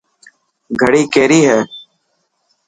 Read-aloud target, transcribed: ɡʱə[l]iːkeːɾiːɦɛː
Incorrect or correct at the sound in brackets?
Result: incorrect: ɽ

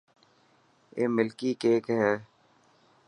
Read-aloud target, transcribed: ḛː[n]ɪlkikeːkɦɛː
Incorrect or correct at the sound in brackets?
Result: incorrect: m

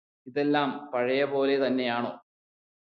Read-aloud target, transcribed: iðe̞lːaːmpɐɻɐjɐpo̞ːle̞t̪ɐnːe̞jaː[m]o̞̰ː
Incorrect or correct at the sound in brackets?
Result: incorrect: ɳ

